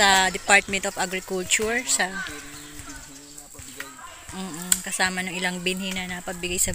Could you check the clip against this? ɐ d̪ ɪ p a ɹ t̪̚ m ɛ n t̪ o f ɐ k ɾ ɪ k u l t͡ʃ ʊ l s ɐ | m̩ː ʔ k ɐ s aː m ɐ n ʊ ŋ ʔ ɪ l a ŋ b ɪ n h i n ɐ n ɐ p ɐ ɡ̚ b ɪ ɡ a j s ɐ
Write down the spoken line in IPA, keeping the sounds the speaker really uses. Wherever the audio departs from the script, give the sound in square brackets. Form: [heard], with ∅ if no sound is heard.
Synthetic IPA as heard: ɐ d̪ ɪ p a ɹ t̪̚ m ɛ n t̪ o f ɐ [ɡ] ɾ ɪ k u l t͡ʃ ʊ [ɹ] s ɐ | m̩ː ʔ k ɐ s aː m ɐ n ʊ ŋ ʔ ɪ l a ŋ b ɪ n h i n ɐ n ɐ p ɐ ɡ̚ b ɪ ɡ a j s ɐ